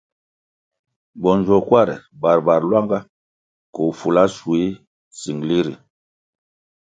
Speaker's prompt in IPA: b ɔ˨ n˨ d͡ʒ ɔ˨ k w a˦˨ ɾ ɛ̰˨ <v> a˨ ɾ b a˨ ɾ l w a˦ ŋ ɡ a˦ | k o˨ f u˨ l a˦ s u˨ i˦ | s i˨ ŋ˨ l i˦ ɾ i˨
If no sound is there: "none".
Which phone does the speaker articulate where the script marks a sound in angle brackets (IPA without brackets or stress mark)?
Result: b